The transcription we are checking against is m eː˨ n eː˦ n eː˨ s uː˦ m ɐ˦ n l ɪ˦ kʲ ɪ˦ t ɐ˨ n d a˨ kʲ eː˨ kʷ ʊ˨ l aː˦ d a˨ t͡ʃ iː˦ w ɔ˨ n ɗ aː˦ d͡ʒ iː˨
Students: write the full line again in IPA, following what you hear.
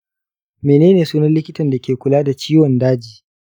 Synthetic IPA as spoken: m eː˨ n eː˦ n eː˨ s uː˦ n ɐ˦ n l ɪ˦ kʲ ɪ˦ t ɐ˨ n d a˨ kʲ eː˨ kʷ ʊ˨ l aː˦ d a˨ t͡ʃ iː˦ w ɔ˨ n d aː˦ d͡ʒ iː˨